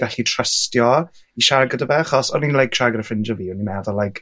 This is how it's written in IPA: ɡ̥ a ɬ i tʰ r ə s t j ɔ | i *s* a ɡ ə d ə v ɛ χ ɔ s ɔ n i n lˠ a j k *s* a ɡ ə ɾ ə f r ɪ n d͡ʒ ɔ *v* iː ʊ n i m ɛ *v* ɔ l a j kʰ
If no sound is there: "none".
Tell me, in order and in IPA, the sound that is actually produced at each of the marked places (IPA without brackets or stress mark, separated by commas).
ʃ, ʃ, v, ð